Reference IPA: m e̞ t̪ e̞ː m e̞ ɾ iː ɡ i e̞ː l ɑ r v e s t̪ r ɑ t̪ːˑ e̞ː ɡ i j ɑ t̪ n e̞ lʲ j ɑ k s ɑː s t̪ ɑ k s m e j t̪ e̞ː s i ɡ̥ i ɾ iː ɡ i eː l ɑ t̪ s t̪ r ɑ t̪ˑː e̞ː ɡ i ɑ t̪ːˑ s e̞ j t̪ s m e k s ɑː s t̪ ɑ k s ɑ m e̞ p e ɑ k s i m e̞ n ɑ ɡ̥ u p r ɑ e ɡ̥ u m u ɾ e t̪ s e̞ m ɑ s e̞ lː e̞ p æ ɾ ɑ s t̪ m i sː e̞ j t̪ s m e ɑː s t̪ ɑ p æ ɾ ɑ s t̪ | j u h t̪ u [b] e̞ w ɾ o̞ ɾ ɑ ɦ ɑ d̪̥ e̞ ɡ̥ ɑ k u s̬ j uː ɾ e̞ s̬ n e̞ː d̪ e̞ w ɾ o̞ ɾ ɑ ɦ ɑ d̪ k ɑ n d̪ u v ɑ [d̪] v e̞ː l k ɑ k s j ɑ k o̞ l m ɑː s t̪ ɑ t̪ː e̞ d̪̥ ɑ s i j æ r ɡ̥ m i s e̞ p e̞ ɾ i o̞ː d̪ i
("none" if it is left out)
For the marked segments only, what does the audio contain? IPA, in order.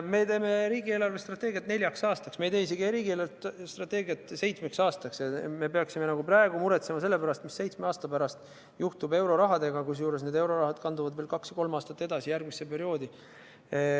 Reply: b, d̪

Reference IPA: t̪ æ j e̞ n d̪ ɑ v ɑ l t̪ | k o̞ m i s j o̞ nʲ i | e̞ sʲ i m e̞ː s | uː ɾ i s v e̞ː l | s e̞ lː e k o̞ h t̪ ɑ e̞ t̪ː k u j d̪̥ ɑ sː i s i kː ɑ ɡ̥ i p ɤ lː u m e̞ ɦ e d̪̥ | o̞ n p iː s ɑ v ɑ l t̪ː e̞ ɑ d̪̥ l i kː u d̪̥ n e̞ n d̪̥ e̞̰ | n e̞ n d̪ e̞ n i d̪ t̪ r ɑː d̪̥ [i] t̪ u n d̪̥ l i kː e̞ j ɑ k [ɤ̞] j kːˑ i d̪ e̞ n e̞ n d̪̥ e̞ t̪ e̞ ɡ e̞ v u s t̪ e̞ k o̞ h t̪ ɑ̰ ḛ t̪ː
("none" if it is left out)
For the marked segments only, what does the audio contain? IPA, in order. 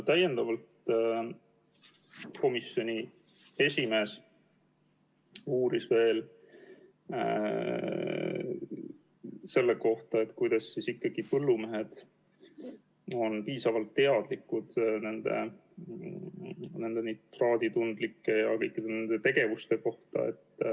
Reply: i, ɤ̞

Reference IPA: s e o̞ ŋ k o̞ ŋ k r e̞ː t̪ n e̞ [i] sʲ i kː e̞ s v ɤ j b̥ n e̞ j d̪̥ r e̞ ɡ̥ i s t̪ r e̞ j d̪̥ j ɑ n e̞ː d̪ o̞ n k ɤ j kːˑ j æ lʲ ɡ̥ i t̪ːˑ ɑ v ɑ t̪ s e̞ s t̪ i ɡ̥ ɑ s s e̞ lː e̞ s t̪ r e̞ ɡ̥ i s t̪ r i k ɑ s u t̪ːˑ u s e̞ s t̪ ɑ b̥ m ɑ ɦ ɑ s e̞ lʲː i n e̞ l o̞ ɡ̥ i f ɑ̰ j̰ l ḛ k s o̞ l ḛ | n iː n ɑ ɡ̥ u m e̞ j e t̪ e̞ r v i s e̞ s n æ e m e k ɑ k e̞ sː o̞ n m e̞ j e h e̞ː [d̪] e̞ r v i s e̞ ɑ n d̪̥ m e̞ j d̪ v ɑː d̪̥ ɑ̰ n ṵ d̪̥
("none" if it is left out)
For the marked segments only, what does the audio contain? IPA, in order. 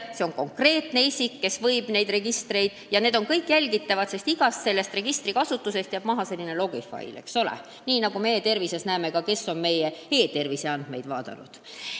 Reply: i, t̪

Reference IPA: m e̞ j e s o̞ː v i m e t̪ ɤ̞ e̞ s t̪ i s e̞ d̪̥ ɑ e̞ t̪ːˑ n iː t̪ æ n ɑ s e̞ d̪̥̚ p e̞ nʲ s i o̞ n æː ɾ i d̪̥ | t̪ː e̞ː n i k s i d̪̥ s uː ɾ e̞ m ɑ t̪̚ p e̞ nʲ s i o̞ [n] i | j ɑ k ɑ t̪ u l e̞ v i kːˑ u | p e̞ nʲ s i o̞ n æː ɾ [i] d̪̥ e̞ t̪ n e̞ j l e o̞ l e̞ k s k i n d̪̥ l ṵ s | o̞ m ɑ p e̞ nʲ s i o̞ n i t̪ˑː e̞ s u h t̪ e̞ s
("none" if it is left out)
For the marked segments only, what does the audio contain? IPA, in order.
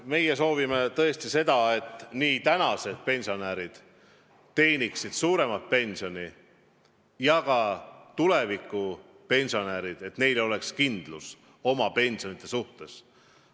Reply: n, i

